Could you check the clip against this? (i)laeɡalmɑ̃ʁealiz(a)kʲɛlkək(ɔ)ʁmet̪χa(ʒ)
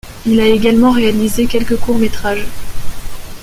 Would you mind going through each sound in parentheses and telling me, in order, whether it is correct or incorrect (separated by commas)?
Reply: correct, incorrect, incorrect, correct